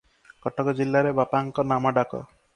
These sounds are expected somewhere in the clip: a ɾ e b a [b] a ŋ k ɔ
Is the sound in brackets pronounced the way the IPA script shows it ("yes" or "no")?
no